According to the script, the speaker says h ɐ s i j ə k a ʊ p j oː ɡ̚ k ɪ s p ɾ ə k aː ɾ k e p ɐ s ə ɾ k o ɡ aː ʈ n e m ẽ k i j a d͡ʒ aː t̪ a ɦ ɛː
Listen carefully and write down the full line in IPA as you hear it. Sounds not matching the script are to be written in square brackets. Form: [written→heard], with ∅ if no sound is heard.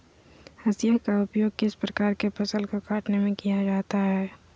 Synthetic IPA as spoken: h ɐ s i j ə k a ʊ p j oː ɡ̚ k ɪ s p ɾ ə k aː ɾ k e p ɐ s ə [ɾ→l] k o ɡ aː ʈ n e m ẽ k i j a d͡ʒ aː t̪ a ɦ ɛː